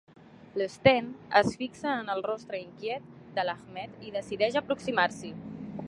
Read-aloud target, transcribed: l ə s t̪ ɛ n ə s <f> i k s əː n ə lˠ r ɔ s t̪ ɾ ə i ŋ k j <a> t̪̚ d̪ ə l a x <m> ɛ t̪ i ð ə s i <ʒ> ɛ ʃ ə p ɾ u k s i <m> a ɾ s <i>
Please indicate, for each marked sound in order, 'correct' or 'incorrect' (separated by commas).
correct, incorrect, correct, incorrect, correct, correct